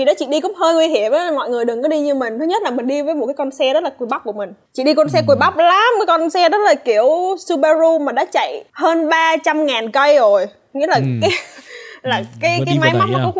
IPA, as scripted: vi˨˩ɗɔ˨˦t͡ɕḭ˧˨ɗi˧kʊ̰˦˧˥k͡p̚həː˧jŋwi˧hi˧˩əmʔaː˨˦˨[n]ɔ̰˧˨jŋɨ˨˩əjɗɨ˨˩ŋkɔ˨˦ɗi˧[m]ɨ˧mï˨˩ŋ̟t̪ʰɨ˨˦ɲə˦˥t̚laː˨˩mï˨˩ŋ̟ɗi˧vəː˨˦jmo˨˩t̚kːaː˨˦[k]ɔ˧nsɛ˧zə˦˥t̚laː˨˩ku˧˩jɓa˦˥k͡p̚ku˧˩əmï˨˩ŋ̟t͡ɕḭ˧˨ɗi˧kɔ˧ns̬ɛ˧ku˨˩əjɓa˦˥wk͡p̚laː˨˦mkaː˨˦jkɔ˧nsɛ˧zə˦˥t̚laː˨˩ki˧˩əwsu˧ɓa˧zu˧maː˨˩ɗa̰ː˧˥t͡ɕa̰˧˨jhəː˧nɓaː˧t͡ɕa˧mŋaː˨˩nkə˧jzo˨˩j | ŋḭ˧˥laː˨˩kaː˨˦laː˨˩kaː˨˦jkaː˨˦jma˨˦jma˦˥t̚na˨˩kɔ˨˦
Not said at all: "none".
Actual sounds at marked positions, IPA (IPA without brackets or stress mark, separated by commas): m, ɲ, k